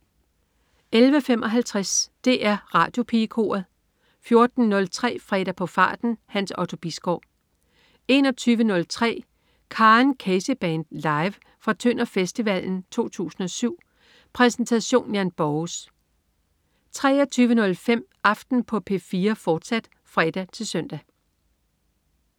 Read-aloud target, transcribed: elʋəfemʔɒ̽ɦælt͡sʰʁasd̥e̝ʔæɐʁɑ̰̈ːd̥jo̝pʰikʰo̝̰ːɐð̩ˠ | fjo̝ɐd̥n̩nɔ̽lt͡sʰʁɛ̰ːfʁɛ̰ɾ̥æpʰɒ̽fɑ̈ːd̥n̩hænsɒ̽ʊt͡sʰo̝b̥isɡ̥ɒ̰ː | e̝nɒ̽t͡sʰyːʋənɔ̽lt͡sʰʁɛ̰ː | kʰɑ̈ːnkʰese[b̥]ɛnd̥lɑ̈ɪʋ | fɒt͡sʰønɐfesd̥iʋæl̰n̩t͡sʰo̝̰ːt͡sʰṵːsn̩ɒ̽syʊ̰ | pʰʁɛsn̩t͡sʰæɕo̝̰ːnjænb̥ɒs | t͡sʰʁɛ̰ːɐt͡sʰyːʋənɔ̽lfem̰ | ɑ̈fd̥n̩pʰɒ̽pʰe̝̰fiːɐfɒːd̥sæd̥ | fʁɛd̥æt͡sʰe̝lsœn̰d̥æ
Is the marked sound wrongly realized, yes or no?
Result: no